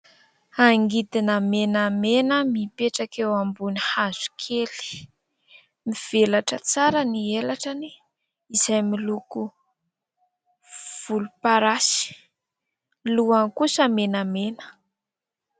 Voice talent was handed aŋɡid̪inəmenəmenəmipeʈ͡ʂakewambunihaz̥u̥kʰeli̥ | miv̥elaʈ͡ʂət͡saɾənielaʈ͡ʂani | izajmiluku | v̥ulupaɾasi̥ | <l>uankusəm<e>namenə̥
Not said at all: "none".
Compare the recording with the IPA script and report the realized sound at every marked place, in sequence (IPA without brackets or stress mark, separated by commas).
l, e